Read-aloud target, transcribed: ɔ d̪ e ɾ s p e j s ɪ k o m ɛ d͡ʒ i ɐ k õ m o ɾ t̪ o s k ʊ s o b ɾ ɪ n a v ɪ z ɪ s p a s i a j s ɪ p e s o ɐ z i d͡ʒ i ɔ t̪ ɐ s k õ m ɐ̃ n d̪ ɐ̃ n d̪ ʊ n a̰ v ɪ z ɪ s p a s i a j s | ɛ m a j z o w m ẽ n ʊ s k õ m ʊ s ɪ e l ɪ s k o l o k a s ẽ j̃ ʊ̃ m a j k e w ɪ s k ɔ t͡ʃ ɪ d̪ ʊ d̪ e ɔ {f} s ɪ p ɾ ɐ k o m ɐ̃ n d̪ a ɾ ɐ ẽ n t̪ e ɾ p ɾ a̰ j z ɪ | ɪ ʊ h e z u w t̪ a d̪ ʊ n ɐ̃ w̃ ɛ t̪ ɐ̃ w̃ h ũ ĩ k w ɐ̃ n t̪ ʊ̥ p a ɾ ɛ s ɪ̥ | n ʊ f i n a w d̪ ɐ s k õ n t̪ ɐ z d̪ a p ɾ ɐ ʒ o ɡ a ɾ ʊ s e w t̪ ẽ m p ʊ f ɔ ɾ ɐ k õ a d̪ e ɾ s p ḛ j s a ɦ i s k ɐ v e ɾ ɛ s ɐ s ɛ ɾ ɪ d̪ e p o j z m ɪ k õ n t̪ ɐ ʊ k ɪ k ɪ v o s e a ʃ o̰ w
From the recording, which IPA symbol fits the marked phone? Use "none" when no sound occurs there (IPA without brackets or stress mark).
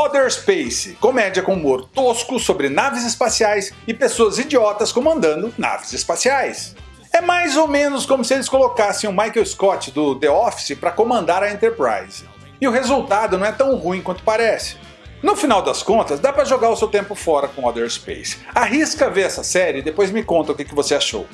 f